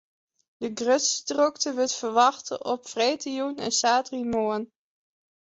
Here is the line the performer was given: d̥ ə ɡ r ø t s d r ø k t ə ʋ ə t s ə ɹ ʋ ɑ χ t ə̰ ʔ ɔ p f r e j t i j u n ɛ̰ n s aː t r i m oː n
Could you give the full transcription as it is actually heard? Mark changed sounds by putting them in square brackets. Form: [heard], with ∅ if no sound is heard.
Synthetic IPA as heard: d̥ ə ɡ r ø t s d r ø k t ə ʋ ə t [f] ə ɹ ʋ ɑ χ t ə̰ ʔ ɔ p f r e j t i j u n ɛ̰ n s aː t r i m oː n